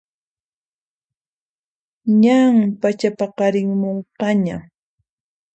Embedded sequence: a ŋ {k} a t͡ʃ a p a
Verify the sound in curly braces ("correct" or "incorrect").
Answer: incorrect